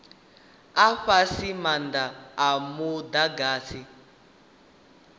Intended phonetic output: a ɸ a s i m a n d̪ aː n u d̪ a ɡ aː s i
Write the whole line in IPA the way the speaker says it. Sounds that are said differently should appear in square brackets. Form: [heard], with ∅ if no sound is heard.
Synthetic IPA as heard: a ɸ a s i m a n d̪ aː [m] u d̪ a ɡ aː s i

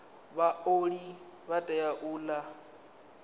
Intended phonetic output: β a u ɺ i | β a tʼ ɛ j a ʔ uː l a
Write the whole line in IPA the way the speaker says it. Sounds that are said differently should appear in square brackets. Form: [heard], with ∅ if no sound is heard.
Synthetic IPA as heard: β a [o] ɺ i | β a tʼ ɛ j a ʔ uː l a

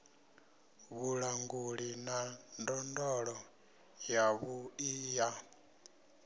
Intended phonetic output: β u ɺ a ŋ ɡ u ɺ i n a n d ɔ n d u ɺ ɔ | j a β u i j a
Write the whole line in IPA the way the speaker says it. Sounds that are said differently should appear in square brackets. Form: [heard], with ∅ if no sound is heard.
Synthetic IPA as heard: β u ɺ a ŋ ɡ u ɺ i n a n d ɔ n d [ɔ] ɺ ɔ | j a β u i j a

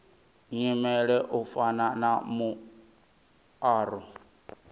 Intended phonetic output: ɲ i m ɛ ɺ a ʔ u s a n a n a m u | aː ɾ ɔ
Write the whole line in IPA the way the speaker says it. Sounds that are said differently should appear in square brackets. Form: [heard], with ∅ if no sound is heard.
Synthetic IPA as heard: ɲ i m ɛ ɺ [ɛ] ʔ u [f] a n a n a m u | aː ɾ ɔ

